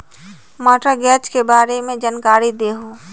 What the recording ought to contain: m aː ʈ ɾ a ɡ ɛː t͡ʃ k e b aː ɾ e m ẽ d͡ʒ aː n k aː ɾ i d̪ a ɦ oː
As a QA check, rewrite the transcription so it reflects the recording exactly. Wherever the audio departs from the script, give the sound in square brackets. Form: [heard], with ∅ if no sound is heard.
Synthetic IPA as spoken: m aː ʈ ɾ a ɡ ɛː t͡ʃ k e b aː ɾ e m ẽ d͡ʒ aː n k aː ɾ i d̪ [e] ɦ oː